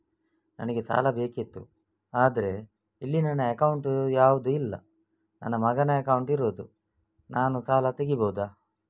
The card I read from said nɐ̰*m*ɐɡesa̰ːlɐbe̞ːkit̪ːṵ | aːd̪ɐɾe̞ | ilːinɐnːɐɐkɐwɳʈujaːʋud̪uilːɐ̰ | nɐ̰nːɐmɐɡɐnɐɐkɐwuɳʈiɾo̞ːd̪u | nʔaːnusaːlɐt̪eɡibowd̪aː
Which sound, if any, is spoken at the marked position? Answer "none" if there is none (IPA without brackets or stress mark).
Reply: n